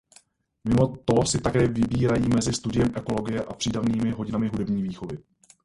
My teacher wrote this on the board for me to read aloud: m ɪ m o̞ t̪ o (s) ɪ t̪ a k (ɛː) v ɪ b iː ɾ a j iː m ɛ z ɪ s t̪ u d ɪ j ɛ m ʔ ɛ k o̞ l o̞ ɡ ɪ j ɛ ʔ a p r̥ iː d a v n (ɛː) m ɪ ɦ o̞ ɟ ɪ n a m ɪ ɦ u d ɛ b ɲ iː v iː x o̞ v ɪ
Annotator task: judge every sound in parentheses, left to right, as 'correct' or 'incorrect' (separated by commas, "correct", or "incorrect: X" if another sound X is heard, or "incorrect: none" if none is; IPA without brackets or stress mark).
correct, correct, incorrect: iː